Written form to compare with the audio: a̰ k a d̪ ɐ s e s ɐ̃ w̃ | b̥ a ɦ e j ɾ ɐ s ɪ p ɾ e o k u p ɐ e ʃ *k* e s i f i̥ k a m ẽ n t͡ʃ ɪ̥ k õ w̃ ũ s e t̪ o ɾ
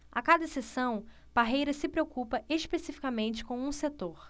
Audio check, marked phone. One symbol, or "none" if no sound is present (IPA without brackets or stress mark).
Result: p